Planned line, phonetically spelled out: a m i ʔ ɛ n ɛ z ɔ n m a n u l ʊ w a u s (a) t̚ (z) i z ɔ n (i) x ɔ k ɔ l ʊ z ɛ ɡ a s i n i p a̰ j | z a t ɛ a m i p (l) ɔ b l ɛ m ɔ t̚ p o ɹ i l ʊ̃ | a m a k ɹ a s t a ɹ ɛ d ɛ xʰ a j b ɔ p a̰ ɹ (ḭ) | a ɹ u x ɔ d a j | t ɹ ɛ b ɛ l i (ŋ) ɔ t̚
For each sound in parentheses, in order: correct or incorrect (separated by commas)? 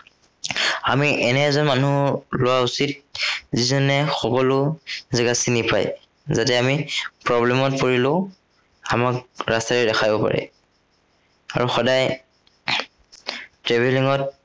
incorrect, correct, incorrect, incorrect, incorrect, correct